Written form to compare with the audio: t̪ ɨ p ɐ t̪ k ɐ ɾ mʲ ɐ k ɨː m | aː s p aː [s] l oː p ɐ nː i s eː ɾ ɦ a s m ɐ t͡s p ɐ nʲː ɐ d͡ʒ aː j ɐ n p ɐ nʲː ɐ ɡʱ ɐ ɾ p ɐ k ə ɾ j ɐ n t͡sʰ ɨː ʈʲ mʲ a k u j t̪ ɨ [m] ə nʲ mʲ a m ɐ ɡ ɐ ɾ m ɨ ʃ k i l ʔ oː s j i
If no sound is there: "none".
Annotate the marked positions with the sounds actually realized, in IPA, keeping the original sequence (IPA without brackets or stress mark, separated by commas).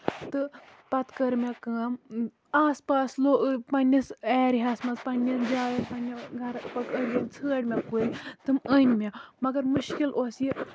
s, m